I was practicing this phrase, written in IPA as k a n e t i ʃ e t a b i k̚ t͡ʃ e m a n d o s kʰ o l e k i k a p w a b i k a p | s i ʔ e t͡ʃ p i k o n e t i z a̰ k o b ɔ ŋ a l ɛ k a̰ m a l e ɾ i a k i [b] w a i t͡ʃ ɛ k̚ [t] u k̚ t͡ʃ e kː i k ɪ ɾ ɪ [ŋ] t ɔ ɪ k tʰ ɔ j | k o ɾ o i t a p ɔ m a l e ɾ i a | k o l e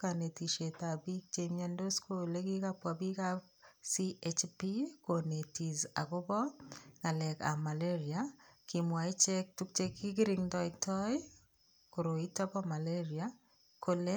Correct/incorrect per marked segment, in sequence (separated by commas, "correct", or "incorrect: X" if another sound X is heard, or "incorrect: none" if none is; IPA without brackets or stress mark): incorrect: m, correct, correct